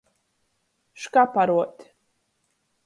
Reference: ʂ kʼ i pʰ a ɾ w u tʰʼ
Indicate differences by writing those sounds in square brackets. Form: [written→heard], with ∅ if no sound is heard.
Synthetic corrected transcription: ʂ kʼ [i→a] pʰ a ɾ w [u→ɔ] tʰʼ